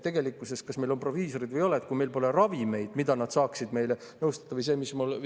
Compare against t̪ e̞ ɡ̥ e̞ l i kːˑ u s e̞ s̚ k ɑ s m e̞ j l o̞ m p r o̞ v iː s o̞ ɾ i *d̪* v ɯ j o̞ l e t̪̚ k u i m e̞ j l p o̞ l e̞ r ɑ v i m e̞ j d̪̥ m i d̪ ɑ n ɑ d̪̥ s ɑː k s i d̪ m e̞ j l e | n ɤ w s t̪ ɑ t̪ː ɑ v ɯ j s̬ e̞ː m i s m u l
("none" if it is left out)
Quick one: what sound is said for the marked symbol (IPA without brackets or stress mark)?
d̪